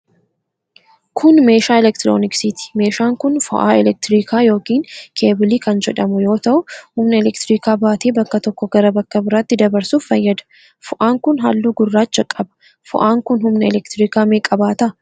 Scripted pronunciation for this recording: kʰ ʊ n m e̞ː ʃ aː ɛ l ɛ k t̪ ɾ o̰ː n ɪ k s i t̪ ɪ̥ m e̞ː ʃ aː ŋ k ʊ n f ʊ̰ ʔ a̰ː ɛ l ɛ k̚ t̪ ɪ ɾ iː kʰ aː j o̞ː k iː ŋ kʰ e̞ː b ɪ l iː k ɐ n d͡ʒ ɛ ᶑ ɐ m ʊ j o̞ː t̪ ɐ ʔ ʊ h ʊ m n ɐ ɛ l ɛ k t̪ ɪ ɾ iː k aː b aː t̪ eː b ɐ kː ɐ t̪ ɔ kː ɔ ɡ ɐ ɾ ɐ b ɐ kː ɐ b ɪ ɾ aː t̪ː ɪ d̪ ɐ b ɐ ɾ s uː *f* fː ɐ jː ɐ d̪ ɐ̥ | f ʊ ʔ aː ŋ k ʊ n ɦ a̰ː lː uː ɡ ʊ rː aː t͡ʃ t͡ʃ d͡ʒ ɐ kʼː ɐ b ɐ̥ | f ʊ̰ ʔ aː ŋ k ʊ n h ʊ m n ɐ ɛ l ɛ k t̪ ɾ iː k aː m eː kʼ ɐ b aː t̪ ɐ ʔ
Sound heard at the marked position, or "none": f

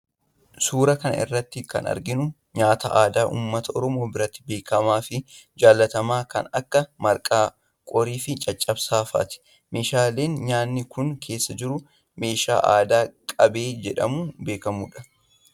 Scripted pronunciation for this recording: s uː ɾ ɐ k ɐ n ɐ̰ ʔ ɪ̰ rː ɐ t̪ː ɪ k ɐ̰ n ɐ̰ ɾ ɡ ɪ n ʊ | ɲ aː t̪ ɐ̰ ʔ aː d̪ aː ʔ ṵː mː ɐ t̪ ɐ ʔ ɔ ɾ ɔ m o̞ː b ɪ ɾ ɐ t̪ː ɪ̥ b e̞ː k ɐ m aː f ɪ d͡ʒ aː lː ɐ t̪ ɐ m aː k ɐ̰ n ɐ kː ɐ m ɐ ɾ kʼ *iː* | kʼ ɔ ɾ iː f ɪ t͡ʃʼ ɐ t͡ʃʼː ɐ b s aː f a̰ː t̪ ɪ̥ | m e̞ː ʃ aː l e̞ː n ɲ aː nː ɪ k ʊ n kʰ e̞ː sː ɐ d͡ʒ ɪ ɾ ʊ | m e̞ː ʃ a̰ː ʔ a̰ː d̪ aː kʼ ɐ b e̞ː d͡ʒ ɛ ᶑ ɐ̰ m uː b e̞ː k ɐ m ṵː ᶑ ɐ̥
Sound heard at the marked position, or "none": aː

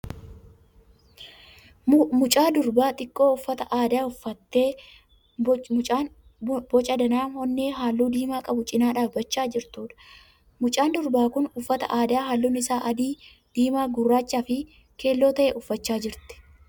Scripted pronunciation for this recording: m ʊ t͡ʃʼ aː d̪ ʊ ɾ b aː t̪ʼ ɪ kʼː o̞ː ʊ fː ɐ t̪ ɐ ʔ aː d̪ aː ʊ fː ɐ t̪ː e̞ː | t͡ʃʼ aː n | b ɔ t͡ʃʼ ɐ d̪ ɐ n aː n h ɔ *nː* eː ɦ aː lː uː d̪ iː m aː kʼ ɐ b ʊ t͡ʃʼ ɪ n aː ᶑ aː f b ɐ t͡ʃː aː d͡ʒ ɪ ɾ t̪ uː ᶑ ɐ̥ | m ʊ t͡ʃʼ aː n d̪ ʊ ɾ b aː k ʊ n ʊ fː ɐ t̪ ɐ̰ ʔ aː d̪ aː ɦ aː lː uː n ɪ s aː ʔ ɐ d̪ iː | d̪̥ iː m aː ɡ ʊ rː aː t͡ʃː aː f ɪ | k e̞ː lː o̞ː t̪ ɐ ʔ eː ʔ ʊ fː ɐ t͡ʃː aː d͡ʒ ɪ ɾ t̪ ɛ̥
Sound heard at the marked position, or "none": nː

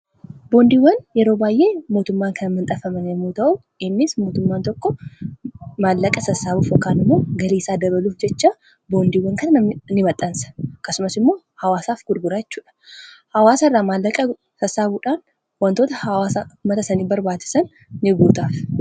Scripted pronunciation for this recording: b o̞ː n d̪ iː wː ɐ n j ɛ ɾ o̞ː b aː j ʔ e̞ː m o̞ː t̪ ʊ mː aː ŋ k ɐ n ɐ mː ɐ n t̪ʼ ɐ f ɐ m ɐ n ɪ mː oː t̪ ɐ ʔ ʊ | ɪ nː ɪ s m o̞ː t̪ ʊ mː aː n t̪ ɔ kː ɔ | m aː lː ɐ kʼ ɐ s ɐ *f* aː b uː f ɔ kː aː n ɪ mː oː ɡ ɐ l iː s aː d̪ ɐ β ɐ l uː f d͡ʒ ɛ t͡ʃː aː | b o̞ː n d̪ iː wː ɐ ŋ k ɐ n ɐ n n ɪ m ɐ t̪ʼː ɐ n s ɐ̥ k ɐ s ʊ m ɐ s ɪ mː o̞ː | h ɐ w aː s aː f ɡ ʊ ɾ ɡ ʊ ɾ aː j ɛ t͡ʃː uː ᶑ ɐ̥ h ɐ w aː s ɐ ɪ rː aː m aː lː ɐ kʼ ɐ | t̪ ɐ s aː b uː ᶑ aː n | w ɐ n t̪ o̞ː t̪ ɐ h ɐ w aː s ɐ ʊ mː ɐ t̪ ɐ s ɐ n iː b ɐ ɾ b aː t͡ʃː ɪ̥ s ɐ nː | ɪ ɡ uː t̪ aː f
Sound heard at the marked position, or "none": s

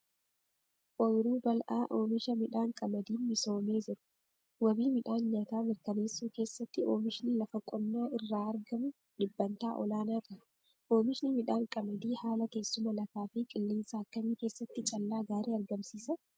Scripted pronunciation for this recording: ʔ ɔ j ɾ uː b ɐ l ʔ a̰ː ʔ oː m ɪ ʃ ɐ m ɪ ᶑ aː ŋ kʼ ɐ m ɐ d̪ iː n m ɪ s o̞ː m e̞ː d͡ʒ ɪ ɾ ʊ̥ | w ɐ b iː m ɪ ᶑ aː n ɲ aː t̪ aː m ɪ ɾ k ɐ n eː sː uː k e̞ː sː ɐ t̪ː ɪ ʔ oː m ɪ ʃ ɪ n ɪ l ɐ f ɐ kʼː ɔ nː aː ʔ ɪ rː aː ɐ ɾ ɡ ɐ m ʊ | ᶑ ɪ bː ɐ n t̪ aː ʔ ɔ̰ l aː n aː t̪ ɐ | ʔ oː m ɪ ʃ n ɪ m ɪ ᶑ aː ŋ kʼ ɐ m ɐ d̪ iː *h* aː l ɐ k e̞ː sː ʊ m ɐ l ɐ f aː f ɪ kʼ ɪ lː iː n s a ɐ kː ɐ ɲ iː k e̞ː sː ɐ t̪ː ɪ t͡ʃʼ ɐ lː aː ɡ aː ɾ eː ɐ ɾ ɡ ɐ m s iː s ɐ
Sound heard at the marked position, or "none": h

